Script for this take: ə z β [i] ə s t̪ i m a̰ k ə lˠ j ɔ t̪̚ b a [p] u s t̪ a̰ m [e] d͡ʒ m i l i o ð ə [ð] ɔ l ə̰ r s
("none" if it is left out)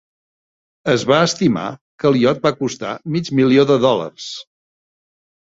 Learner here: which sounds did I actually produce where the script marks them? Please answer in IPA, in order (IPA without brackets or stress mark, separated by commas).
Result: a, k, i, ð